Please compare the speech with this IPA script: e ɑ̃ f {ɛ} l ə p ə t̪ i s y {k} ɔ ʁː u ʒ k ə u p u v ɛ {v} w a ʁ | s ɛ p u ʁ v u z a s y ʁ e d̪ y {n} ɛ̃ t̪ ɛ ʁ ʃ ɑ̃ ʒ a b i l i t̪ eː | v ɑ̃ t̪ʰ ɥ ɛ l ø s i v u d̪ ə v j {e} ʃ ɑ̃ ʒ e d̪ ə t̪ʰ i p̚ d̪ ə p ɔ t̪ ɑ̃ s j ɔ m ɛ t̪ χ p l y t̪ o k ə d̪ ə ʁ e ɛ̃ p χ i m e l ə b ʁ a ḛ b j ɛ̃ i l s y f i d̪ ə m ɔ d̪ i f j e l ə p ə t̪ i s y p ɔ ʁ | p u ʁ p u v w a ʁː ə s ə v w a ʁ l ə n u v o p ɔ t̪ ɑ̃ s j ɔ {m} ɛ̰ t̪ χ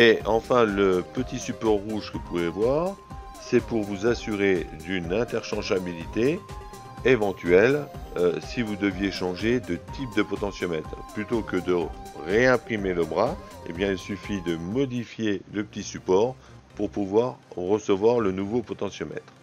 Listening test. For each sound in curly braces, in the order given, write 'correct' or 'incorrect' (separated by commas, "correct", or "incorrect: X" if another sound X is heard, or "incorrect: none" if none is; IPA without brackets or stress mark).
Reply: incorrect: ɛ̃, incorrect: p, correct, correct, correct, correct